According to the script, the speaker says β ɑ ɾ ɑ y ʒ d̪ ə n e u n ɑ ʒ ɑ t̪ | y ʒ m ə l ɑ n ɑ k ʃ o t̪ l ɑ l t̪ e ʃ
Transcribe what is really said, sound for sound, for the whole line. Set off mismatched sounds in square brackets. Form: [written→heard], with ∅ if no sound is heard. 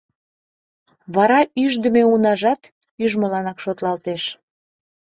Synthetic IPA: β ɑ ɾ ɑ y ʒ d̪ ə [n→m] e u n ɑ ʒ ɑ t̪ | y ʒ m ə l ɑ n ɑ k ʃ o t̪ l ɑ l t̪ e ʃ